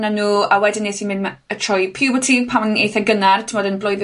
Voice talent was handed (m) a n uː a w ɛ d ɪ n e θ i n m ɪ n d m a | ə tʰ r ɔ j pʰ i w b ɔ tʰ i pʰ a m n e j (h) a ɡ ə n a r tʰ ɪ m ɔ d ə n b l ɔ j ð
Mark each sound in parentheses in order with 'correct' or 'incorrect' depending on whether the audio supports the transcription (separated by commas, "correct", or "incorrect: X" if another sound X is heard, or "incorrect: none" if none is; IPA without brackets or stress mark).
incorrect: n, incorrect: θ